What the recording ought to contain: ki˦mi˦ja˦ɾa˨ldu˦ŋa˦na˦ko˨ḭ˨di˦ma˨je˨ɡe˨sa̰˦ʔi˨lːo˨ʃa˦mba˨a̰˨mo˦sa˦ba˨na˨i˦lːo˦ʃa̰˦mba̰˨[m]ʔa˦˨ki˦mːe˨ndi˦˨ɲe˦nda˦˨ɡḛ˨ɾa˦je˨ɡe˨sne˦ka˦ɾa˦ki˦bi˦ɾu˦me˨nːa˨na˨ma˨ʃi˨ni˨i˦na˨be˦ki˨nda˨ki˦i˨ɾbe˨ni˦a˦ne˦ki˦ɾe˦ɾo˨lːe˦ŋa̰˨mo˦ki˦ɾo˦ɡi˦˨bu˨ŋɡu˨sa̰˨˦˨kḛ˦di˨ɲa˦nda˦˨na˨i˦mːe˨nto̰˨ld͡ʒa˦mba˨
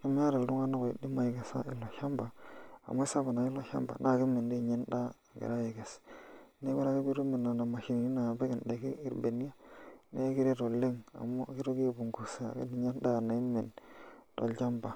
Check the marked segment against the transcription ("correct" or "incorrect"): incorrect